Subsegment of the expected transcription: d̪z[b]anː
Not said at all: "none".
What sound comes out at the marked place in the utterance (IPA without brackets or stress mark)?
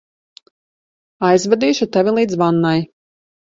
v